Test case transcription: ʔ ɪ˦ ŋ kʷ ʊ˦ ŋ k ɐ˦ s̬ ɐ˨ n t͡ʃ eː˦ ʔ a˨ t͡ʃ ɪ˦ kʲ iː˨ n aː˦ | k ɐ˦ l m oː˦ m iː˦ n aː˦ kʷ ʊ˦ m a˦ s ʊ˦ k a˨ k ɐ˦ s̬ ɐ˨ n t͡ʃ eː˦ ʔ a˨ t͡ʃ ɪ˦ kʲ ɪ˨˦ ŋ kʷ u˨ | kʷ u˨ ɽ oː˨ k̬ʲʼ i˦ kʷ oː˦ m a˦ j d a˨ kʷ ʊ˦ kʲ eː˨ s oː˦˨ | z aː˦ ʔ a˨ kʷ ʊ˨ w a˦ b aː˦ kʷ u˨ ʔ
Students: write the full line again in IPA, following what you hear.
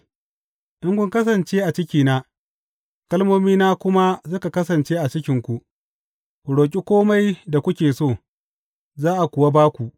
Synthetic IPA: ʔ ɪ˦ ŋ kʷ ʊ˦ ŋ k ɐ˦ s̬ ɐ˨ n t͡ʃ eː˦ ʔ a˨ t͡ʃ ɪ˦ kʲ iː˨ n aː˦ | k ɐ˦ l m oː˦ m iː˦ n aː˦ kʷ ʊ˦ m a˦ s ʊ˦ k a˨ k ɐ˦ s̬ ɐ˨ n t͡ʃ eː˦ ʔ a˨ t͡ʃ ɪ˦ kʲ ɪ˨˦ ŋ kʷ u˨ | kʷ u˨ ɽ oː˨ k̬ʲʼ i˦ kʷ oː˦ m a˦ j d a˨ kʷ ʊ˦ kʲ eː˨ s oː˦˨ | z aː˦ ʔ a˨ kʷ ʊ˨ w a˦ b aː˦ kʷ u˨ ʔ